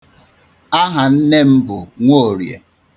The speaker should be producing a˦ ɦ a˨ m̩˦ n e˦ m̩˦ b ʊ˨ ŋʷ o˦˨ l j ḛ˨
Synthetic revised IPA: a˦ ɦ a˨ n̩˦ n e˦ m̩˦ b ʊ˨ ŋʷ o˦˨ ɾ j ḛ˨